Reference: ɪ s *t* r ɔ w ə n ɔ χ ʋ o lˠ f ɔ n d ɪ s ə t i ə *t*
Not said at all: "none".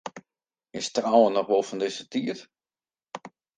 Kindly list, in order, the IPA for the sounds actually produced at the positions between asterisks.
t, t

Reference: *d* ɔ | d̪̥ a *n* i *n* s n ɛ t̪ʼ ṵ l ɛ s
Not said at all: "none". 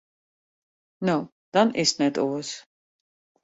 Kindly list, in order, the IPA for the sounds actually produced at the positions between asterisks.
n, n, none

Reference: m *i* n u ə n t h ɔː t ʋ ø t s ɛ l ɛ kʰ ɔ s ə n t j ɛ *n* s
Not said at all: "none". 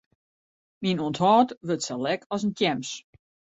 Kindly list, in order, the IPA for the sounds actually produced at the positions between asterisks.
i, m

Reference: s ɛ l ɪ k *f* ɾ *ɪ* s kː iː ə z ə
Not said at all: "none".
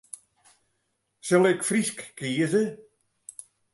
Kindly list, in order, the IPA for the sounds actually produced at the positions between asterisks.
f, i

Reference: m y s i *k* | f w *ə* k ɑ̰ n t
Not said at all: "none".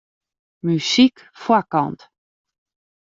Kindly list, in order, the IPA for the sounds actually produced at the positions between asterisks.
k, a

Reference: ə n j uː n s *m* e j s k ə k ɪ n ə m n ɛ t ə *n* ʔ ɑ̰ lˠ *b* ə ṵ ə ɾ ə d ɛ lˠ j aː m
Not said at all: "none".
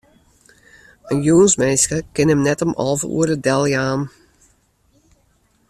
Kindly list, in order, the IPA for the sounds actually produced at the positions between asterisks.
m, m, v

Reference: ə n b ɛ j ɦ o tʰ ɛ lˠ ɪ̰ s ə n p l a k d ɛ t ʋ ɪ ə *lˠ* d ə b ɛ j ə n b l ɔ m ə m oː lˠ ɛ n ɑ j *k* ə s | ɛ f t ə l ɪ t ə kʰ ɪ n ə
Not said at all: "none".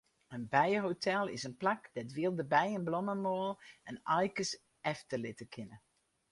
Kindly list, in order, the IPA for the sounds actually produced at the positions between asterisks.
lˠ, k

